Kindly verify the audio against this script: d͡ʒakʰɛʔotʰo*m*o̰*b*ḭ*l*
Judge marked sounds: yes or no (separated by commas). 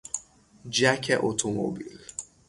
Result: yes, yes, yes